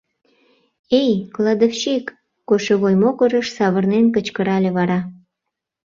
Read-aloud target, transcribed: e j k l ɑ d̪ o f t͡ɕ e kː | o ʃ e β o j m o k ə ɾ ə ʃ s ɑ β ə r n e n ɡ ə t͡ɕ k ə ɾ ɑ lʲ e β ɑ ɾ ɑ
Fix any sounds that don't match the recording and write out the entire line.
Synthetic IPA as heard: e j k l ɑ d̪ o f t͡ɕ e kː | o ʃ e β o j m o k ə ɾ ə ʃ s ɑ β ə r n e n k ə t͡ɕ k ə ɾ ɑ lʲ e β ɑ ɾ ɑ